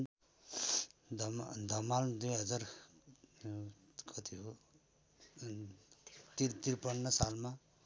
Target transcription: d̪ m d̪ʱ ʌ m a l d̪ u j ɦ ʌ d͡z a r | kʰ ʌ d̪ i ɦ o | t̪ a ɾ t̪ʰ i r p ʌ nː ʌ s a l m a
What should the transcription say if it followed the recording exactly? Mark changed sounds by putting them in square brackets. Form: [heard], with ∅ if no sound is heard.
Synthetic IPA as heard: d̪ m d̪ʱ ʌ m a l d̪ u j ɦ ʌ d͡z a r | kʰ ʌ [t̪] i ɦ o | t̪ [i] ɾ [t̪] i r p ʌ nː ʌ s a l m a